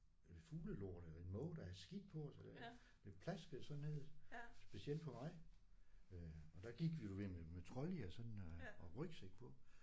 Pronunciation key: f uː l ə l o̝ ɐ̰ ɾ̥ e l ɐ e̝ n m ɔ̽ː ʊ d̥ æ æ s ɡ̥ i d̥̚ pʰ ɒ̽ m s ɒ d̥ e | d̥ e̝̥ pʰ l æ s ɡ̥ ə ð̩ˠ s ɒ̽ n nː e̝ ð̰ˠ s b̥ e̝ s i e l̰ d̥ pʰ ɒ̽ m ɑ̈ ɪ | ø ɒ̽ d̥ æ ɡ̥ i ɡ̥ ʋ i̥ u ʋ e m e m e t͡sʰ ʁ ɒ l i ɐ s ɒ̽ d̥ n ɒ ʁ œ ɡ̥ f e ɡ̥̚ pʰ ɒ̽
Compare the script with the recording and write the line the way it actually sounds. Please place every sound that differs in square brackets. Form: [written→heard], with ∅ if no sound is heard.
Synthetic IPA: f uː l ə l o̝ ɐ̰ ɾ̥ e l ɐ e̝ n m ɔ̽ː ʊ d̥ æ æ s ɡ̥ i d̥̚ pʰ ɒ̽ [m→∅] s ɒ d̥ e | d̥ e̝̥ pʰ l æ s ɡ̥ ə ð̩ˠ s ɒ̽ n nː e̝ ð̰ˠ s b̥ e̝ s i e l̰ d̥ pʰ ɒ̽ m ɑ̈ ɪ | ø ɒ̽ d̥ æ ɡ̥ i ɡ̥ ʋ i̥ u ʋ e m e m e t͡sʰ ʁ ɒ l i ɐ s ɒ̽ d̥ n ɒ ʁ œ ɡ̥ [f→s] e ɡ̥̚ pʰ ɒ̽

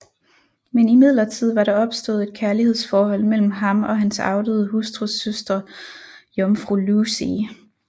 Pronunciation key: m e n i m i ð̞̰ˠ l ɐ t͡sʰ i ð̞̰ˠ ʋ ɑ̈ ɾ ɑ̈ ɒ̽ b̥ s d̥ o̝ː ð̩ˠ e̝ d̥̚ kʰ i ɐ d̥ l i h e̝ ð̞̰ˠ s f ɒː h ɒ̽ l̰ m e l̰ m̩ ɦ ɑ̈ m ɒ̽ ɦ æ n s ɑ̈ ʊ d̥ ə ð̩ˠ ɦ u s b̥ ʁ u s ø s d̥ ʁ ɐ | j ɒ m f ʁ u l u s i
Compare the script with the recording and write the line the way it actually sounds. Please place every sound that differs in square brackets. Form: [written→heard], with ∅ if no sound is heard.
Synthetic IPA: m e n i m i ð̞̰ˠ l ɐ t͡sʰ i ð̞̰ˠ ʋ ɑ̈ ɾ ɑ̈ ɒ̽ b̥ s d̥ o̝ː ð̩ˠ e̝ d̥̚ kʰ [i→æ] ɐ [d̥→∅] l i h e̝ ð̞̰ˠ s f ɒː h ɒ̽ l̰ m e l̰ m̩ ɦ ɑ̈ m ɒ̽ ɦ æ n s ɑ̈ ʊ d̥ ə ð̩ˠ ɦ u s [b̥→d̥] ʁ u s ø s d̥ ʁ ɐ | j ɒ m f ʁ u l u s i

